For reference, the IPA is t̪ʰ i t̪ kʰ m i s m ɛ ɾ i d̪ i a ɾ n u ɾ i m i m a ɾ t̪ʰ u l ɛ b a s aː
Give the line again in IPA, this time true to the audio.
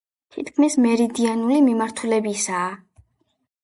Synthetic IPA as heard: t̪ʰ i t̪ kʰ m i s m ɛ ɾ i d̪ i a n u l i m i m a ɾ t̪ʰ u l ɛ b i s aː